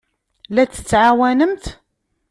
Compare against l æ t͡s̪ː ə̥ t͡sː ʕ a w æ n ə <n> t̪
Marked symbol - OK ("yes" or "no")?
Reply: no